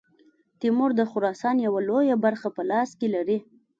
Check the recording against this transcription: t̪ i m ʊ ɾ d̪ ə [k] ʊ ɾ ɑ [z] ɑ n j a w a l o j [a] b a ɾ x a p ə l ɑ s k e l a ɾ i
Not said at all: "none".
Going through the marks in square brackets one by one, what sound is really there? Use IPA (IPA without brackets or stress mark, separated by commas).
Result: x, s, a